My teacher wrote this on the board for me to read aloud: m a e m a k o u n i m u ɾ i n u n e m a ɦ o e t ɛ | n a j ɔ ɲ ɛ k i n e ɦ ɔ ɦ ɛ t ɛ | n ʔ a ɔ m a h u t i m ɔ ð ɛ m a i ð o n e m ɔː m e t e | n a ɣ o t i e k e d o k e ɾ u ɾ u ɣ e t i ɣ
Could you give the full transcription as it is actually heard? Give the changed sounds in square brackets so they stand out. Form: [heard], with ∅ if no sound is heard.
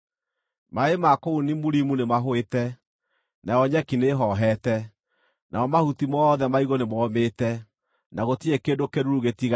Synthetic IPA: m a e m a k o u n i m u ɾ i [m] u n e m a ɦ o e t ɛ | n a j ɔ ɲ ɛ k i n e ɦ ɔ ɦ ɛ t ɛ | n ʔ a ɔ m a h u t i m ɔ ð ɛ m a i [ɣ] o n e m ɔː m e t [ɛ] | n a ɣ o t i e k e d o k e ɾ u ɾ u ɣ e t i ɣ